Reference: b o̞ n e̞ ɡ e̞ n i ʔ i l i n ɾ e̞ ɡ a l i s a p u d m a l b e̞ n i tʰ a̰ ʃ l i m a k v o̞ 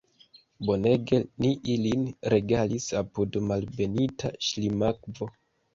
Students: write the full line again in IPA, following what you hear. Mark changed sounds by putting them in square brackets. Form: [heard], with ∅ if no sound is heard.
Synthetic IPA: b o̞ n e̞ ɡ e̞ n i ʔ i l i n ɾ e̞ ɡ a l i s a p u d m a l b e̞ n i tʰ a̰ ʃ l i m a k v o̞